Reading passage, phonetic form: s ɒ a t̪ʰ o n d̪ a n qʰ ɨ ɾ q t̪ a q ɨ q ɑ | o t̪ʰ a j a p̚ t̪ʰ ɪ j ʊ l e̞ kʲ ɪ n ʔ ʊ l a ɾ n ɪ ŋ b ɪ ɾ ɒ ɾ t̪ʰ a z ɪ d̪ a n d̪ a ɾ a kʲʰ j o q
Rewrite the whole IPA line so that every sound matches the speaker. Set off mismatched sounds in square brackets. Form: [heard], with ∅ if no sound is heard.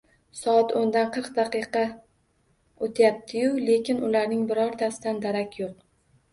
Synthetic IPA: s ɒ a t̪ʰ o n d̪ a n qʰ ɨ ɾ q [d̪] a q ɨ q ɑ | o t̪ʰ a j a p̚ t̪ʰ ɪ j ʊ l e̞ kʲ ɪ n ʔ ʊ l a ɾ n ɪ ŋ b ɪ ɾ ɒ ɾ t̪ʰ a [s] ɪ d̪ a n d̪ a ɾ a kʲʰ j o q